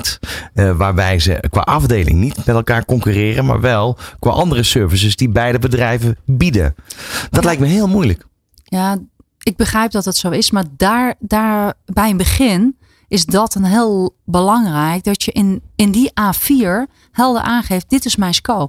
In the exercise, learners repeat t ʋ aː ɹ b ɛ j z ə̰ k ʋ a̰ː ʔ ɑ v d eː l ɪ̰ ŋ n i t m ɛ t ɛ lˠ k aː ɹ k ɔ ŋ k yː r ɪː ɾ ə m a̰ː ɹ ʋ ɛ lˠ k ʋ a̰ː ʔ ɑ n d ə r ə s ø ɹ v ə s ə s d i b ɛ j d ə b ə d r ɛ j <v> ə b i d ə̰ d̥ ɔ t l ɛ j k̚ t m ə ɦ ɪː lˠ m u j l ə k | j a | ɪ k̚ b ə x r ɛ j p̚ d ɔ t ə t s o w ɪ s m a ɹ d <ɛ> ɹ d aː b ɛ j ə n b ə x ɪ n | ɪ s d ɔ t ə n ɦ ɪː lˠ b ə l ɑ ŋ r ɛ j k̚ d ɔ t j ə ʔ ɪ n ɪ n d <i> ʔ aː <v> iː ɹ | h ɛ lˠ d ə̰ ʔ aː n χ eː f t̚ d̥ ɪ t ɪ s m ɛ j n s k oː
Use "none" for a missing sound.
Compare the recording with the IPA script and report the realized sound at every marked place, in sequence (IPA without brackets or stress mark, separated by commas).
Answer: v, a, i, f